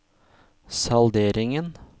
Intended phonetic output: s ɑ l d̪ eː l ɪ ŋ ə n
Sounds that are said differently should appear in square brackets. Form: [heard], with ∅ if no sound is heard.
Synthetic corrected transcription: s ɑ l d̪ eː [ɾ] ɪ ŋ ə n